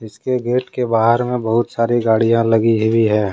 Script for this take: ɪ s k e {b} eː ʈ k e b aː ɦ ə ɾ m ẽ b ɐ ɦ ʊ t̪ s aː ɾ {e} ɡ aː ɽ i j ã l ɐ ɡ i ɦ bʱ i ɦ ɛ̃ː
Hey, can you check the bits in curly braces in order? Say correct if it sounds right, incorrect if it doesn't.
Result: incorrect: ɡ, incorrect: i

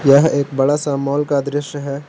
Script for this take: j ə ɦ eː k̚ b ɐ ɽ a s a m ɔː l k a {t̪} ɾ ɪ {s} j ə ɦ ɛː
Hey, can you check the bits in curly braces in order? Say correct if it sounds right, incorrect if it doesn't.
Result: incorrect: d̪, incorrect: ʃ

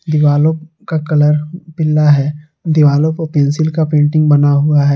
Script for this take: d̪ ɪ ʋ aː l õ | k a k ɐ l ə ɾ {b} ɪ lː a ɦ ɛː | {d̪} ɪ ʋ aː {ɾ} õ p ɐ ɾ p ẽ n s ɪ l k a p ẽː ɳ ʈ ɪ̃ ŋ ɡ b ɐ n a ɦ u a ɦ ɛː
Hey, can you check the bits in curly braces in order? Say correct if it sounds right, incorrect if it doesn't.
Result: incorrect: p, correct, incorrect: l

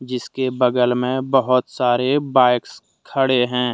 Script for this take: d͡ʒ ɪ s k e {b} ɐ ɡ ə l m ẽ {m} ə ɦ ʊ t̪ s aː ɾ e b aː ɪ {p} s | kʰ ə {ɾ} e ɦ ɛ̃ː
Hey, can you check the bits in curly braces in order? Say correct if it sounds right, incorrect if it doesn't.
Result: correct, incorrect: b, incorrect: k, incorrect: ɽ

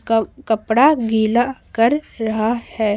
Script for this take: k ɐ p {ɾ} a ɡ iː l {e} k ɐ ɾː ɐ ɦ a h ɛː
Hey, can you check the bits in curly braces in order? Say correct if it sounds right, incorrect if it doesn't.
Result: incorrect: ɽ, incorrect: a

